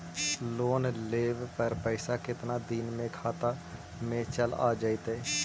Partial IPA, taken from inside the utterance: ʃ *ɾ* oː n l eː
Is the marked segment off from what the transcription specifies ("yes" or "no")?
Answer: yes